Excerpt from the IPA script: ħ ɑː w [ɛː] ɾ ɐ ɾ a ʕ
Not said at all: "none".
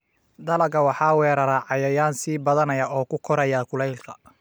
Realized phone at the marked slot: ɛː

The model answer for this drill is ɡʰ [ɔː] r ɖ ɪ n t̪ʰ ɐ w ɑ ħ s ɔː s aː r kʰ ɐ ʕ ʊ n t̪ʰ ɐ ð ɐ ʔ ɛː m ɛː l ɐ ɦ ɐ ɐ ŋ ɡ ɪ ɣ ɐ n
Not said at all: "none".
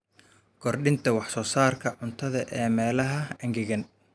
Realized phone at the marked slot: ɔ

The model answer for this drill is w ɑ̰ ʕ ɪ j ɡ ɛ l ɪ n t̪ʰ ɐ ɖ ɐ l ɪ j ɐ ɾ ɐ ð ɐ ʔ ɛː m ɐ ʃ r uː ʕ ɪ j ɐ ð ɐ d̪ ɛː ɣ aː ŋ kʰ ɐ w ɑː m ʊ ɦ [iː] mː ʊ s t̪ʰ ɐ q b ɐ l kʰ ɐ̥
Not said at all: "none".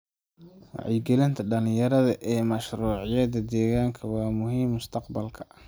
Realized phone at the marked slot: iː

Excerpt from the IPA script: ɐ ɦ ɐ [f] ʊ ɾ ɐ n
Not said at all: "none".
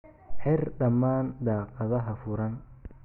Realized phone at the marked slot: f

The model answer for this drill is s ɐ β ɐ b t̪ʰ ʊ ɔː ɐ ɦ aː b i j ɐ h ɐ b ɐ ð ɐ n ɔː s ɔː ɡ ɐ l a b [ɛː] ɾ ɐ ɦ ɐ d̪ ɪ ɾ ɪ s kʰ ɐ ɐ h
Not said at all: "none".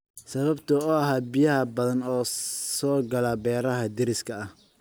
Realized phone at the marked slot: ɛː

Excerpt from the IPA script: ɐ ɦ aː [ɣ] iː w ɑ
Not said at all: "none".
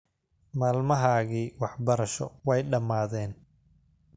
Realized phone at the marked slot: ɣ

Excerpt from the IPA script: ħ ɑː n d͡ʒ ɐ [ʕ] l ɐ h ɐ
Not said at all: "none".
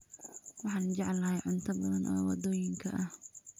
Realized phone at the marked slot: ʕ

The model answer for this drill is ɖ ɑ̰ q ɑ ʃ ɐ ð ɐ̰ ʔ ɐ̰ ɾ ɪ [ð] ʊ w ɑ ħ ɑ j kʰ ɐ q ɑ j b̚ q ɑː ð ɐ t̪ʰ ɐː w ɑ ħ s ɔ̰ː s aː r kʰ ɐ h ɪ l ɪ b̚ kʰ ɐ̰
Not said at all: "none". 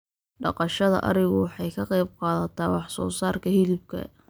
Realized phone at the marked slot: ɣ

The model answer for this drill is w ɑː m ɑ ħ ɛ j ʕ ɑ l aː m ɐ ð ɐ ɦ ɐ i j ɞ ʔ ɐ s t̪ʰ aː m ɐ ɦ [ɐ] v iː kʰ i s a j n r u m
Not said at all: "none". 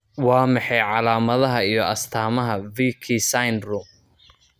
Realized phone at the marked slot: ɐ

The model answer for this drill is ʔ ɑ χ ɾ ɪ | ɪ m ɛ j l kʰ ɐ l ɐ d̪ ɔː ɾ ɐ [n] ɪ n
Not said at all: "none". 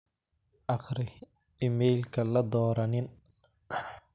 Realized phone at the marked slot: n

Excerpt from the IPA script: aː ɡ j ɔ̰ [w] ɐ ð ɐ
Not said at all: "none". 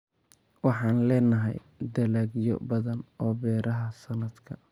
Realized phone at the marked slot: b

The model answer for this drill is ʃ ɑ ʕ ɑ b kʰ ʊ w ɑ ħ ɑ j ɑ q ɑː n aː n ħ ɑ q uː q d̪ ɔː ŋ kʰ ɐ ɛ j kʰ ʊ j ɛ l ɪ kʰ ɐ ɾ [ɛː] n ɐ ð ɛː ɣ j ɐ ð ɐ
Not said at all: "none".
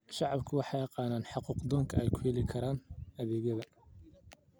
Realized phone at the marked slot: aː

